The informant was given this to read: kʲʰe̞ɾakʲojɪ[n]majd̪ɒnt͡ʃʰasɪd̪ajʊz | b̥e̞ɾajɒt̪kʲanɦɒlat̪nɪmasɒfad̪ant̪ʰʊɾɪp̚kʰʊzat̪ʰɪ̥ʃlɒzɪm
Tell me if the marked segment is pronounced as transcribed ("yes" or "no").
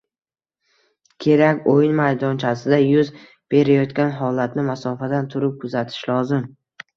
yes